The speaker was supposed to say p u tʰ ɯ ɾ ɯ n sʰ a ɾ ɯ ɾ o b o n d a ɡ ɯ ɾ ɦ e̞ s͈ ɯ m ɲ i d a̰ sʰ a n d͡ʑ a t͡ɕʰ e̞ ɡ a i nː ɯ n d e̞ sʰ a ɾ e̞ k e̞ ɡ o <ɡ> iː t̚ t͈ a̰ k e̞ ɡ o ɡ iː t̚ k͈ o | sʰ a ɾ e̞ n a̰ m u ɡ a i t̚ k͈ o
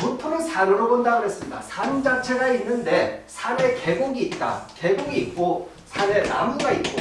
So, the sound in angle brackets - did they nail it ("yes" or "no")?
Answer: yes